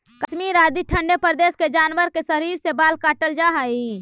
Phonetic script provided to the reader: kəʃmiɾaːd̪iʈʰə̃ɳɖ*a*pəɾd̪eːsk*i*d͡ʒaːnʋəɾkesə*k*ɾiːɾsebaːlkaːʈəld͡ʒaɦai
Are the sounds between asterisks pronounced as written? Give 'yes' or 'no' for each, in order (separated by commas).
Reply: no, no, no